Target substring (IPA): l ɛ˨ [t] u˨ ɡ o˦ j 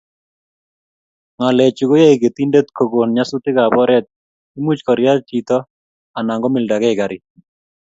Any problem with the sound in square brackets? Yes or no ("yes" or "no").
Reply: yes